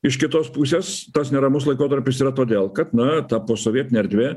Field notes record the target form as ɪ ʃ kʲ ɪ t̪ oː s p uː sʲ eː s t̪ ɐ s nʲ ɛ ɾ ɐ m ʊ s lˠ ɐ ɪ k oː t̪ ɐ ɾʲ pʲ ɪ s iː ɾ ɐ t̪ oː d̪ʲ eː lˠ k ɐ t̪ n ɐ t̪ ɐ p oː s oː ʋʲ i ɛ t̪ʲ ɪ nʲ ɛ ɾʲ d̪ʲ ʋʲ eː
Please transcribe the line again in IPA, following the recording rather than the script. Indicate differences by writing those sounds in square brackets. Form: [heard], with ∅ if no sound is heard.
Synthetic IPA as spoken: ɪ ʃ kʲ ɪ t̪ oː s p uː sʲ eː s t̪ ɐ s nʲ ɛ ɾ ɐ m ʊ s lˠ ɐ ɪ k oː t̪ ɐ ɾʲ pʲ ɪ s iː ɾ ɐ t̪ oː d̪ʲ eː lˠ k ɐ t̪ n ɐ t̪ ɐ p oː s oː ʋʲ i ɛ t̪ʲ ɪ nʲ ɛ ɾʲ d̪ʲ ʋʲ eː

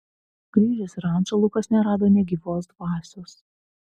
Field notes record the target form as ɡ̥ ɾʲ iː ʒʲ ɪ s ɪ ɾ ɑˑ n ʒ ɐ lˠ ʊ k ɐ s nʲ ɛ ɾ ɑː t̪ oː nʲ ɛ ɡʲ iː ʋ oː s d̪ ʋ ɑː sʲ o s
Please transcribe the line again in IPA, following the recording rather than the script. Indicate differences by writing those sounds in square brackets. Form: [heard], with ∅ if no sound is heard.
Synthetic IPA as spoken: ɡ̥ ɾʲ iː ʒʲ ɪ s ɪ ɾ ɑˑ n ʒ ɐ lˠ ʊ k ɐ s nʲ ɛ ɾ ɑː [d̪] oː nʲ ɛ ɡʲ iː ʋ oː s d̪ ʋ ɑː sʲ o s

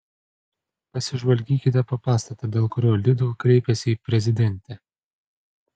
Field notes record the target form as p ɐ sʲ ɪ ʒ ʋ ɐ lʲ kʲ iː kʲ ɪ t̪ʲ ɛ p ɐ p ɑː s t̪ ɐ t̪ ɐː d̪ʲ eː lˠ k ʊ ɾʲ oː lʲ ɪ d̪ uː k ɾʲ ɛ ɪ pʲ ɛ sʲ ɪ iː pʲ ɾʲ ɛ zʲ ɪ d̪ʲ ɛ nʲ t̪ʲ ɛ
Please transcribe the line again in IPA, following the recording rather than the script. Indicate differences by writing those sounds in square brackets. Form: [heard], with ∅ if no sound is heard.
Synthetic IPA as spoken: p ɐ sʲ ɪ ʒ ʋ ɐ lʲ [ɡʲ] iː kʲ ɪ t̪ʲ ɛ p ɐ p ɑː s t̪ ɐ t̪ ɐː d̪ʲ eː lˠ k ʊ ɾʲ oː lʲ ɪ d̪ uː k ɾʲ ɛ ɪ pʲ ɛ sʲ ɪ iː pʲ ɾʲ ɛ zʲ ɪ d̪ʲ ɛ nʲ t̪ʲ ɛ

